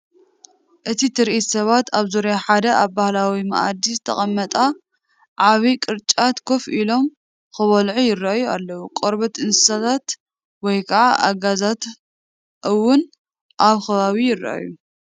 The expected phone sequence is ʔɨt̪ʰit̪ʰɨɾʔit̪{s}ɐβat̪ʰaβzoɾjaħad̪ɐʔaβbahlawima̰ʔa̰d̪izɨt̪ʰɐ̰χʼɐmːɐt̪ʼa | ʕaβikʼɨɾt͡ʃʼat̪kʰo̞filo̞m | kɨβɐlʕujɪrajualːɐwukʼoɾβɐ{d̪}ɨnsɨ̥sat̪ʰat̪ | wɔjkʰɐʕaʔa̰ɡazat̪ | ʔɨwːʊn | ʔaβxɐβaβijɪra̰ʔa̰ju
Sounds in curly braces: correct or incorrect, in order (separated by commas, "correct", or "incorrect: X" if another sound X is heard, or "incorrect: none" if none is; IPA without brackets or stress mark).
correct, incorrect: t̪